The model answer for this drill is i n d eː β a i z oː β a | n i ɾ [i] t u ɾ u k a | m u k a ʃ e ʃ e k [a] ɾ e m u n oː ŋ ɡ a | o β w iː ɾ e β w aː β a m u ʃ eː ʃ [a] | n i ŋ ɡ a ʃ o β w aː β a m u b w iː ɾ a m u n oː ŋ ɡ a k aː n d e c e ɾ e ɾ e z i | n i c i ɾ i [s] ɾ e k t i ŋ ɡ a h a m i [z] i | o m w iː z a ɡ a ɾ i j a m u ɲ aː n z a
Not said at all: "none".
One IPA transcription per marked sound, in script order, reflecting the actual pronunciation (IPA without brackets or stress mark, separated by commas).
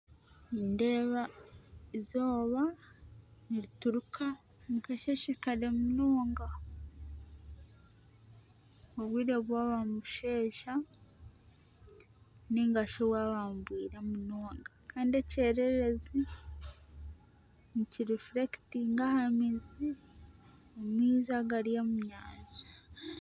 i, a, a, f, z